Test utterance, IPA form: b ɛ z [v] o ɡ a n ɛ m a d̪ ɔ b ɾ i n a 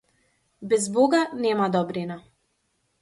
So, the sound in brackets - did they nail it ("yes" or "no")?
no